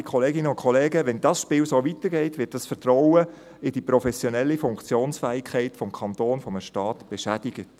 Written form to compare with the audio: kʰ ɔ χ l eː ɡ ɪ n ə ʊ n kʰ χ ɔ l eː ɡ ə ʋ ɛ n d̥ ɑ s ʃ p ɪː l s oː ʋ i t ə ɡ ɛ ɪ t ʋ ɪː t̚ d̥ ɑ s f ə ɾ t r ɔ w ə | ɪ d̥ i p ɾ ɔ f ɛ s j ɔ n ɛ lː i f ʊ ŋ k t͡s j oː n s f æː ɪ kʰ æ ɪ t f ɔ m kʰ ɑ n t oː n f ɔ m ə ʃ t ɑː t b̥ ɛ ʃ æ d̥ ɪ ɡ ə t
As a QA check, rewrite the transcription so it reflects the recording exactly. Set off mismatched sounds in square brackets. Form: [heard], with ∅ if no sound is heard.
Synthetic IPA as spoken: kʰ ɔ [∅] l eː ɡ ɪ n ə ʊ n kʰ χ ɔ l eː ɡ ə ʋ ɛ n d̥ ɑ s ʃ p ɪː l s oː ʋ i t ə ɡ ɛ ɪ t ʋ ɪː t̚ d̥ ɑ s f ə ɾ t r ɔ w ə | ɪ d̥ i p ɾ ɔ f ɛ s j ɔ n ɛ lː i f ʊ ŋ k t͡s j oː n s f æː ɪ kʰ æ ɪ t f ɔ m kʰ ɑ n t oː n f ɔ m ə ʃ t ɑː t b̥ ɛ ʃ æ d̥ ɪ ɡ ə t